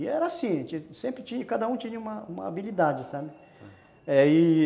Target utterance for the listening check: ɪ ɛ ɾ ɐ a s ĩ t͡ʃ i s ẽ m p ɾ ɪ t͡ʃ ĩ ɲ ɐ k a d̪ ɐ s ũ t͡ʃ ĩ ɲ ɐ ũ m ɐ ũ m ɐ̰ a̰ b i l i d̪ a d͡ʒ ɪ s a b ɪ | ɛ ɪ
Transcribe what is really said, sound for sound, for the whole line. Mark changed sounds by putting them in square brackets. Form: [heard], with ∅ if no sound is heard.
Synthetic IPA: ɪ ɛ ɾ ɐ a s ĩ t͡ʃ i s ẽ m p ɾ ɪ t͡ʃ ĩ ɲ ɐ k a d̪ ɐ [∅] ũ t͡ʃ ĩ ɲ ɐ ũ m ɐ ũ m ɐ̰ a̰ b i l i d̪ a d͡ʒ ɪ s a b ɪ | ɛ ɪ

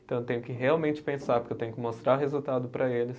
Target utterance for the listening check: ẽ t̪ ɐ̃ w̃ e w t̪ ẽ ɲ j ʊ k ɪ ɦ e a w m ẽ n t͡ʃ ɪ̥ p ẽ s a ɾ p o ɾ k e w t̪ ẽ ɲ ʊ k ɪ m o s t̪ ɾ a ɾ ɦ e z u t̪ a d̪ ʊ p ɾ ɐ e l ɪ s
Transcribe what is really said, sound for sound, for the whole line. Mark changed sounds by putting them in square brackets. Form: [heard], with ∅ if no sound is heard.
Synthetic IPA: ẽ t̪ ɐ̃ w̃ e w t̪ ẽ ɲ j ʊ k ɪ ɦ e a w m ẽ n t͡ʃ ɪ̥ p ẽ s a ɾ p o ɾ k e w t̪ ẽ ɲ ʊ k ɪ m o s t̪ ɾ a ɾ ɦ e z u t̪ a d̪ ʊ p ɾ ɐ e l ɪ s

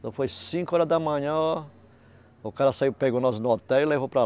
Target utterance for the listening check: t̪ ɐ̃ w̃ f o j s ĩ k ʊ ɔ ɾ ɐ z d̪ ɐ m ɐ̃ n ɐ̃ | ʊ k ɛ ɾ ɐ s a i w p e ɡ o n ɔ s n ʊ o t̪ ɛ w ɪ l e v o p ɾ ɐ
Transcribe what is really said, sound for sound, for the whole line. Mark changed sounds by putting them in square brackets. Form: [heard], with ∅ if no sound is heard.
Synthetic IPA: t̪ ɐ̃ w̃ f o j s ĩ k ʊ ɔ ɾ ɐ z d̪ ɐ m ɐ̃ [ɲ] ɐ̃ | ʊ k [a] ɾ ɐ s a i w p e ɡ o n ɔ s n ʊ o t̪ ɛ w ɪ l e v o p ɾ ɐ

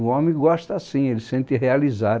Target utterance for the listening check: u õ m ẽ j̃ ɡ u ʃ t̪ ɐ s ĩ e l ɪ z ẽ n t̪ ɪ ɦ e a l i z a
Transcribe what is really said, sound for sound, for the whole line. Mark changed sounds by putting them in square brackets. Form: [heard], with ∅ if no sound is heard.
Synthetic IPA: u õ m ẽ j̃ ɡ [ɔ] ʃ t̪ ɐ s ĩ e l ɪ [s] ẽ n t̪ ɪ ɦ e a l i z a

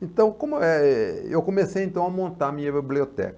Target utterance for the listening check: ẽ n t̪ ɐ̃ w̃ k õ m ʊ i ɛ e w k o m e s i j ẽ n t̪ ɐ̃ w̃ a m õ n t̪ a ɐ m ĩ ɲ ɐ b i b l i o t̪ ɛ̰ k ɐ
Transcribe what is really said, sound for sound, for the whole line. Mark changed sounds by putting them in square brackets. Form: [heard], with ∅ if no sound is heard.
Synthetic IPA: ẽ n t̪ ɐ̃ w̃ k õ m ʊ [ɛ] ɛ e w k o m e s [e] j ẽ n t̪ ɐ̃ w̃ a m õ n t̪ a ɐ m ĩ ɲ ɐ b i b l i o t̪ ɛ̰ k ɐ

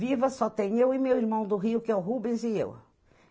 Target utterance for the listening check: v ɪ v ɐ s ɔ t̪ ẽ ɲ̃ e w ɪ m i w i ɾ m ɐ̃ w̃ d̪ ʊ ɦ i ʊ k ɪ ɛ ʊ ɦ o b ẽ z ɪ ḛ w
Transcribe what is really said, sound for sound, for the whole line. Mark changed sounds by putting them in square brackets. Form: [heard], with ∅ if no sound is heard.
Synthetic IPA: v [i] v ɐ s ɔ t̪ ẽ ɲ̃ e w ɪ m [e] w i ɾ m ɐ̃ w̃ d̪ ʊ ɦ i ʊ k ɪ ɛ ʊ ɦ [u] b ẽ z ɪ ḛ w

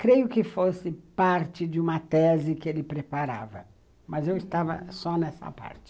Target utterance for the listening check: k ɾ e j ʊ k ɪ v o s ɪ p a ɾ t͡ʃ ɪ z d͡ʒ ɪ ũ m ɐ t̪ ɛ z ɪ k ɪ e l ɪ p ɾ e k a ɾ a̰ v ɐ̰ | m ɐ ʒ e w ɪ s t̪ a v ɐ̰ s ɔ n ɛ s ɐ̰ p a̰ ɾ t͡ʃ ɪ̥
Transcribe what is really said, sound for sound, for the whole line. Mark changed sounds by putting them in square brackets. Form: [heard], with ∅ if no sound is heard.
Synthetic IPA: k ɾ e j ʊ k ɪ [f] o s ɪ p a ɾ t͡ʃ ɪ [∅] d͡ʒ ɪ ũ m ɐ t̪ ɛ z ɪ k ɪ e l ɪ p ɾ e [p] a ɾ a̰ v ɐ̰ | m ɐ [z] e w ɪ s t̪ a v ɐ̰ s ɔ n ɛ s ɐ̰ p a̰ ɾ t͡ʃ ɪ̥

